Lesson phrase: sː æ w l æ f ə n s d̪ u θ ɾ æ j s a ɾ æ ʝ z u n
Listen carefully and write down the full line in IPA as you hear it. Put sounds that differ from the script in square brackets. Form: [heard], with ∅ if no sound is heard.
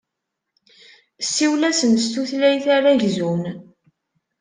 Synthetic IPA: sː [i] w l æ [s] ə n s [t̪] u θ [l] æ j [θ] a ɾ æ ʝ z u n

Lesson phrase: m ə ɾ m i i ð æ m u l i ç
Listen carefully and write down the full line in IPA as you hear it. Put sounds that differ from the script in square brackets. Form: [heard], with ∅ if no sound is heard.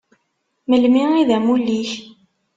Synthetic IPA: m ə [l] m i i ð æ m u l i ç

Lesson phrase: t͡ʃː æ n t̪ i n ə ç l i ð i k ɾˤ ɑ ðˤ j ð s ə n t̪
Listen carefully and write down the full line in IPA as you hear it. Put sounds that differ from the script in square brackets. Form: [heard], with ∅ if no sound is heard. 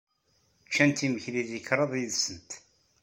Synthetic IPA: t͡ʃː æ n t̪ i [m] ə ç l i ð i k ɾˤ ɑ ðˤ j ð s ə n t̪

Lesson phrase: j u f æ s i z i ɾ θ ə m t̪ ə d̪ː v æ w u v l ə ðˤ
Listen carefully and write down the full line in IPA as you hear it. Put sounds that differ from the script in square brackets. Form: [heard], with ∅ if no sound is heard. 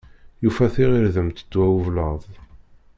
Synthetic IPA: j u f æ [θ] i [ʁ] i ɾ [ð] ə m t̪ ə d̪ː [w] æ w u v l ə ðˤ

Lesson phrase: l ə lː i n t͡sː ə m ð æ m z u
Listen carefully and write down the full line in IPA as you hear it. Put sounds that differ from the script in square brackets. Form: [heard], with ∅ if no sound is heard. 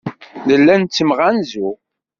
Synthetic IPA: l ə lː [æ] n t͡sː ə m [ʁ] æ [n] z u

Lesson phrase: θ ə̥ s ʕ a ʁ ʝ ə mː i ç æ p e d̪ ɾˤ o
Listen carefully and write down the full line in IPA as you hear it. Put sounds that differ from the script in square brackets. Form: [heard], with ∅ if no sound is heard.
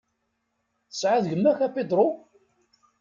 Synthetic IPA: θ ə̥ s ʕ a [ð] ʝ ə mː [æ] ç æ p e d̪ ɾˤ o

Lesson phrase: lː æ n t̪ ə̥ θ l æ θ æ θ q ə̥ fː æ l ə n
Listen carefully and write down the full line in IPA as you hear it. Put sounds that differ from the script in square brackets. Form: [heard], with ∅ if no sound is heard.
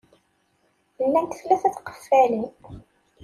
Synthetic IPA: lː æ n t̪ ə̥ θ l æ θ æ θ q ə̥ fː æ l ə n

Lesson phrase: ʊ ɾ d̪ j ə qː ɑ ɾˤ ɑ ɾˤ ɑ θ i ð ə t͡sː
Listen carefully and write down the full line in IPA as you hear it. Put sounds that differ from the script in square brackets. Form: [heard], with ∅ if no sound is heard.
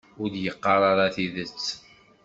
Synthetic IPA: ʊ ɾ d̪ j ə qː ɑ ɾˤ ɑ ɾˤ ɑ θ i ð ə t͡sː

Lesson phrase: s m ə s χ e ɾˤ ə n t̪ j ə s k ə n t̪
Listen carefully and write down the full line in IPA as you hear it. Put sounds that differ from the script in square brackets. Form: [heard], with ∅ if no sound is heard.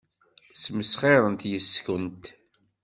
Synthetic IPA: s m ə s χ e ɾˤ ə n t̪ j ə s k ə n t̪

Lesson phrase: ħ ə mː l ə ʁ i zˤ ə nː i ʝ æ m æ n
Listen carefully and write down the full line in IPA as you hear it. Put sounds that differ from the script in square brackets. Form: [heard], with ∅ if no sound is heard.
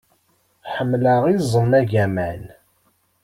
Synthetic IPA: ħ ə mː l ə ʁ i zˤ ə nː [æ] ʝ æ m æ n

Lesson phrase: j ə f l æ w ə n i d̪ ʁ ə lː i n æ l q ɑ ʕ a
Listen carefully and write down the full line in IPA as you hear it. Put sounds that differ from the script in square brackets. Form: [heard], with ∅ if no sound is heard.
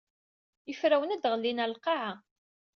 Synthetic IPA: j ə f [ɾ] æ w ə n [æ] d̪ ʁ ə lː i n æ l q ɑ ʕ a

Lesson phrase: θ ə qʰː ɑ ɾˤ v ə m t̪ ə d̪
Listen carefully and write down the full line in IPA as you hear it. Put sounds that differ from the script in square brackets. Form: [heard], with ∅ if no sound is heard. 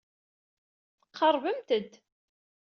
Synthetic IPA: θ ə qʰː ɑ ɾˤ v ə m t̪ ə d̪

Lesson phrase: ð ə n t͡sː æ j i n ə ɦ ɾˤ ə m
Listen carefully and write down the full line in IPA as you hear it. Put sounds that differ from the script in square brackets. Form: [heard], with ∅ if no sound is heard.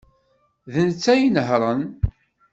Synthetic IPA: ð ə n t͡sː æ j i n ə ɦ ɾˤ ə [n]

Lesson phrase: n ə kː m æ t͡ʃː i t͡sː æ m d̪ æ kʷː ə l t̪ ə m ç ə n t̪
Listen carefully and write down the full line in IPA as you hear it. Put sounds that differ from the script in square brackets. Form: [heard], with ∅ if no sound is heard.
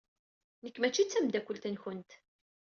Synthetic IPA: n ə kː m æ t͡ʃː i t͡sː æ m d̪ æ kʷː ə l t̪ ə [n] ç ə n t̪

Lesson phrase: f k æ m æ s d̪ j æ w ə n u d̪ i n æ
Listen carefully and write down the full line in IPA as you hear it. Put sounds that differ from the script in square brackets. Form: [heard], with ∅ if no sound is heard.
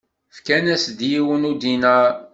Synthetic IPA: f k æ [n] æ s d̪ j [i] w ə n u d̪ i n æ

